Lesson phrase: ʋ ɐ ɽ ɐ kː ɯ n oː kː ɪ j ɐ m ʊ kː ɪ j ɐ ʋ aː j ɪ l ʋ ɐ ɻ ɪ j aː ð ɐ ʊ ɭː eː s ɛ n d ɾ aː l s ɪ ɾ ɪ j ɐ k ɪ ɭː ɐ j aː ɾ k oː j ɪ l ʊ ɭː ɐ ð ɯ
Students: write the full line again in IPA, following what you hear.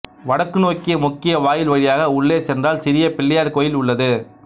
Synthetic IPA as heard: ʋ ɐ ɽ ɐ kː ɯ n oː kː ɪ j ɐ m ʊ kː ɪ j ɐ ʋ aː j ɪ l ʋ ɐ ɻ ɪ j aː ɣ ɐ ʊ ɭː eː s ɛ n d r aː l s ɪ ɾ ɪ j ɐ p ɪ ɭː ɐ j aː ɾ k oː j ɪ l ʊ ɭː ɐ ð ɯ